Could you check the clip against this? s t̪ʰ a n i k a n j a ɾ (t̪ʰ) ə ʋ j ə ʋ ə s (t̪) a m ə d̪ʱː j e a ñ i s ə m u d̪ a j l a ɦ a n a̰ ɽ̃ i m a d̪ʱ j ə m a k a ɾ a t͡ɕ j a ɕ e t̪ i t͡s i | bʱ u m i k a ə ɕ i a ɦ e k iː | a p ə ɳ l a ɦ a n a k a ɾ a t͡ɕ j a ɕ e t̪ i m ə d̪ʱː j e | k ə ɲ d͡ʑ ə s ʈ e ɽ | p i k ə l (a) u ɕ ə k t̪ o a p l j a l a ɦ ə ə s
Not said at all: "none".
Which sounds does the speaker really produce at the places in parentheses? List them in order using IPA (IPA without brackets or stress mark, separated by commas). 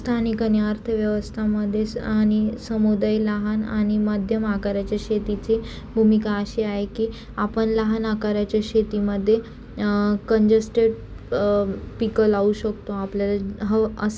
t̪ʰ, t̪ʰ, a